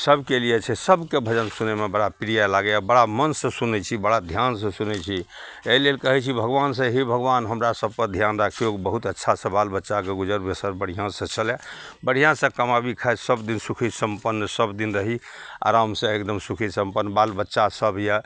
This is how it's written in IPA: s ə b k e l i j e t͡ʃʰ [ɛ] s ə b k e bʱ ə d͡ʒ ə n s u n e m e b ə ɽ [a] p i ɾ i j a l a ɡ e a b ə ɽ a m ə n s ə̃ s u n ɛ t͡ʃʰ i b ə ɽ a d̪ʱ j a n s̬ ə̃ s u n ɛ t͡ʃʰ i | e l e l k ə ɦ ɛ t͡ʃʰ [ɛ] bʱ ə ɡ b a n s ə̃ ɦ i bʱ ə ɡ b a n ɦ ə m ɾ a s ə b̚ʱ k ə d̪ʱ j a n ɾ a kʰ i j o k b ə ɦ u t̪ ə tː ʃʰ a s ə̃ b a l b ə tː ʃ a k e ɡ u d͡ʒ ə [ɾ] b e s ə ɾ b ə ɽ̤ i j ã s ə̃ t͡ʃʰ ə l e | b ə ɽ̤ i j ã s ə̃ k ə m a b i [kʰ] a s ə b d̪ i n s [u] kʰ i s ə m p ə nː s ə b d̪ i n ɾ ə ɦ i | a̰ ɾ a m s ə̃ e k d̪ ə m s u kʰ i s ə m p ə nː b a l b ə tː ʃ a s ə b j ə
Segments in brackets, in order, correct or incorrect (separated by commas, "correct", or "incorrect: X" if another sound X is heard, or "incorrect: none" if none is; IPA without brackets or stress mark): correct, correct, incorrect: i, correct, correct, correct